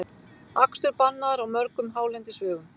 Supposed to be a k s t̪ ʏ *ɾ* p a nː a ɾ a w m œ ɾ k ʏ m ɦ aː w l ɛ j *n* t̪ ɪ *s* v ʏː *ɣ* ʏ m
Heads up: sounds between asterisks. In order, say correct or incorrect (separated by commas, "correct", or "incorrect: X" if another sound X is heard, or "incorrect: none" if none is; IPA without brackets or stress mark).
correct, correct, correct, correct